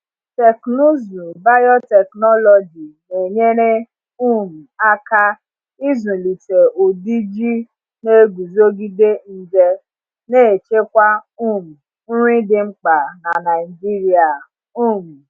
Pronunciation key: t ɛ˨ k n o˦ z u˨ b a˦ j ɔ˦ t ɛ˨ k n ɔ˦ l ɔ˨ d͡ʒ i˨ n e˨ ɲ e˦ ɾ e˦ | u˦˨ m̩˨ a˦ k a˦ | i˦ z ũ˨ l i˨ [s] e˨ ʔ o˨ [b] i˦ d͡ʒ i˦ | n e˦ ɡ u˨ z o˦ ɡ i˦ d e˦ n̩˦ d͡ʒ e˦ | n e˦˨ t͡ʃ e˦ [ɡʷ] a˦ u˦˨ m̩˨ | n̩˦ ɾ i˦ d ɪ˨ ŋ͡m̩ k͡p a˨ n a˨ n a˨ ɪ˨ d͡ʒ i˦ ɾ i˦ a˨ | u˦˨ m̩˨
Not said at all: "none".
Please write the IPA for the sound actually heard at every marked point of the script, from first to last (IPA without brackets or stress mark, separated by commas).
t, d, kʷ